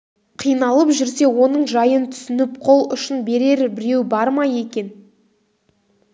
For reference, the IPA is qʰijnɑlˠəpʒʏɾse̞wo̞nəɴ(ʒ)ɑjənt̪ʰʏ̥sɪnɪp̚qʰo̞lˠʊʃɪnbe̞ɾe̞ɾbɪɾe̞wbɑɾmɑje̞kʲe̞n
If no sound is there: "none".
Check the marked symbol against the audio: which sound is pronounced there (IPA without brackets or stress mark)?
ʒ